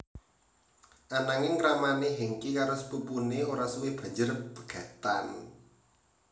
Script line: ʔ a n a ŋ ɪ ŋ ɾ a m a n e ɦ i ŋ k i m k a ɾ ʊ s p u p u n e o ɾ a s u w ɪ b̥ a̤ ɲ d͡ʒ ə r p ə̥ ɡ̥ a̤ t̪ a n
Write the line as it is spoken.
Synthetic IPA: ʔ a n a ŋ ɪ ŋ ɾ a m a n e ɦ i ŋ k i k a ɾ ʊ s p u p u n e o ɾ a s u w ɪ b̥ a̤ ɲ d͡ʒ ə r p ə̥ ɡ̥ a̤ t̪ a n

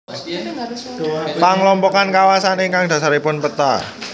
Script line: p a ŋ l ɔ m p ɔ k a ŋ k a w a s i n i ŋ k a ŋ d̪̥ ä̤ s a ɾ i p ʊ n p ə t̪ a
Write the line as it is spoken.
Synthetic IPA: p a ŋ l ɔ m p ɔ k a n k a w a s a n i ŋ k a ŋ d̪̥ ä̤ s a ɾ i p ʊ n p ə t̪ a

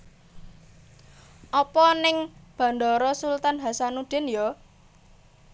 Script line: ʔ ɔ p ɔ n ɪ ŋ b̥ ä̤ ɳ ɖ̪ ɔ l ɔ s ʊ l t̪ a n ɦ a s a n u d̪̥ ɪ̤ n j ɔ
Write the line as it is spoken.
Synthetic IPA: ʔ ɔ p ɔ n ɪ ŋ b̥ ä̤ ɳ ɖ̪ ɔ ɾ ɔ s u l t̪ a n ɦ a s a n u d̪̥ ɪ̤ n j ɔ

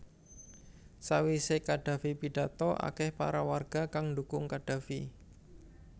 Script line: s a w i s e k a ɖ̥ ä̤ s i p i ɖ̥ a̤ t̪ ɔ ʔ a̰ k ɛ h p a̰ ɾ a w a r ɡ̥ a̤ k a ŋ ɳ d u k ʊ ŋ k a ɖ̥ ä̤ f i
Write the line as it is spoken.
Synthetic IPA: s a w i s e k a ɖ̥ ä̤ f i p i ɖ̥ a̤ t̪ ɔ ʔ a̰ k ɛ h p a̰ ɾ a w a r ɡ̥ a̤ k a ŋ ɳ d u k ʊ ŋ k a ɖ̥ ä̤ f i

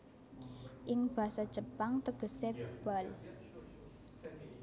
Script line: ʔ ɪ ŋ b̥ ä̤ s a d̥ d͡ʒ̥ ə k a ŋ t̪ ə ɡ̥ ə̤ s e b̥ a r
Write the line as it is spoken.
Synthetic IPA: ʔ ɪ ŋ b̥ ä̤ s a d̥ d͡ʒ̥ ə p a ŋ t̪ ə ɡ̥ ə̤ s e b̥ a l

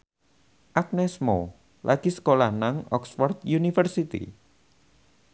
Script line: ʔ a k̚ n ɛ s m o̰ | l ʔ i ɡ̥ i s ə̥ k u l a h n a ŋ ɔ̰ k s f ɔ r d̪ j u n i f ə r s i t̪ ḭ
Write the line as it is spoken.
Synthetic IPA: ʔ a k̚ n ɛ s m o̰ | l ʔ a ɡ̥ i s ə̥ k o l a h n a ŋ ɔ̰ k s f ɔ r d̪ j u n i f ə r s i t̪ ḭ

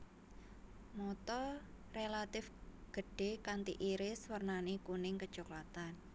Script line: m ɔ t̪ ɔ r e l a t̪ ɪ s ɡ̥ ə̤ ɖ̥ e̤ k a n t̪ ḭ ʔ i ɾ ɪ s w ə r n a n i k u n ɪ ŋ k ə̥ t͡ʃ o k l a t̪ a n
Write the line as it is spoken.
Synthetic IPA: m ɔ t̪ ɔ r e l a t̪ ɪ f ɡ̥ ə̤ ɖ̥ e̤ k a n t̪ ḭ ʔ i ɾ ɪ s w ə r n a n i k u n ɪ ŋ k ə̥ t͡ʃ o k l a t̪ a n

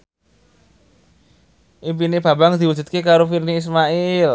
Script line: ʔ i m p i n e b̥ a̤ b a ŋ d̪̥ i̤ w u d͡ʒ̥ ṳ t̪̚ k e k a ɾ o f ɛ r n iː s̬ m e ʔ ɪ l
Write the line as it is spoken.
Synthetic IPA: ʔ i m p i n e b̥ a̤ b a ŋ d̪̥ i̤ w u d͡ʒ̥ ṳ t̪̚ k e k a ɾ o f i r n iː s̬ m a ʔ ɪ l

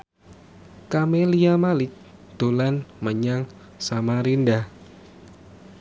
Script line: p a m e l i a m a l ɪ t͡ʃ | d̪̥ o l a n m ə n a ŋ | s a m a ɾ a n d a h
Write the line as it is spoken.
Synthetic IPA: k a m e l i a m a l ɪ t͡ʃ | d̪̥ o l a n m ə ɲ a ŋ | s a m a ɾ i n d a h

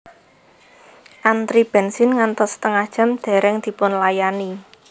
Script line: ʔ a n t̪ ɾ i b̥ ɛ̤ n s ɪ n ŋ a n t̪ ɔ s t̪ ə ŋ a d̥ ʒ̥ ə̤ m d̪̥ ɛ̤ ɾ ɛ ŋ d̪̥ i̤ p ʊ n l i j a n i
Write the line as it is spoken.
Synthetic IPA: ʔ a n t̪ ɾ i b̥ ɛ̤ n s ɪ n ŋ a n t̪ ɔ s t̪ ə ŋ a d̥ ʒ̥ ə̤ m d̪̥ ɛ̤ ɾ ɛ ŋ d̪̥ i̤ p ʊ n l a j a n i

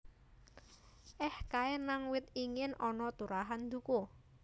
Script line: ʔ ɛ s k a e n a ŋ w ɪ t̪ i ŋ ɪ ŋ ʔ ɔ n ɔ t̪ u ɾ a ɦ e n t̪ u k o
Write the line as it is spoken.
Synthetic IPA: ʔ ɛ h k a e n a ŋ w ɪ t̪ i ŋ ɪ n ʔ ɔ n ɔ t̪ u ɾ a ɦ a n d̪ u k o

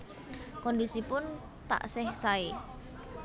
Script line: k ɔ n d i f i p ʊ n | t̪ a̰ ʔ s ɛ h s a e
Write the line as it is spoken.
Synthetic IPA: k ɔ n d i s i p ʊ n | t̪ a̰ ʔ s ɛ h s a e

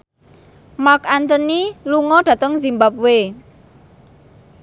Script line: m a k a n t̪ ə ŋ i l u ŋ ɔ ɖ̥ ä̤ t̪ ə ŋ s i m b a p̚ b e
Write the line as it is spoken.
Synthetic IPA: m a k a n t̪ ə n i l u ŋ ɔ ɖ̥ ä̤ t̪ ə ŋ z i m b a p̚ w e

